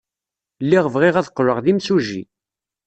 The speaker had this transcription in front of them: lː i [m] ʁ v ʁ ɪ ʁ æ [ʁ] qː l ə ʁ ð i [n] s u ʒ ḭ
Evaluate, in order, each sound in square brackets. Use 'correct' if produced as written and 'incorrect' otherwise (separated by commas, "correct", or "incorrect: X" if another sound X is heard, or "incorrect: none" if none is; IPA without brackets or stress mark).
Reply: incorrect: none, incorrect: ð, incorrect: m